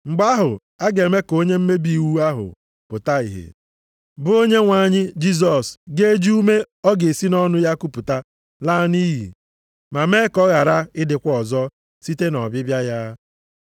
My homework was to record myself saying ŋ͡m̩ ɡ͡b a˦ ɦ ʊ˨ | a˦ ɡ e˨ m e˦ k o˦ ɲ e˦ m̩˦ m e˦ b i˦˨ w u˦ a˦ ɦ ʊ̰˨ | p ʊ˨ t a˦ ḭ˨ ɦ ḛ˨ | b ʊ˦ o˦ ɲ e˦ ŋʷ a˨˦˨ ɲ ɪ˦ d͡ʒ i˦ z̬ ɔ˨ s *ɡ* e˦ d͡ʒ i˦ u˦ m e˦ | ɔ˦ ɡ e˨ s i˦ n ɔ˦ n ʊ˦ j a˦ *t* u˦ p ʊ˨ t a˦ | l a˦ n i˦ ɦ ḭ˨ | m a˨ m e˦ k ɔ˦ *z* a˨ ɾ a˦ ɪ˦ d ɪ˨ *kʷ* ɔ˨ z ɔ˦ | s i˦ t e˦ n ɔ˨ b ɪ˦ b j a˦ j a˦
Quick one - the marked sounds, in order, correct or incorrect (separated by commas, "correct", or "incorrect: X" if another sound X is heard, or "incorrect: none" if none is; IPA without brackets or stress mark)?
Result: correct, incorrect: k, incorrect: ɣ, correct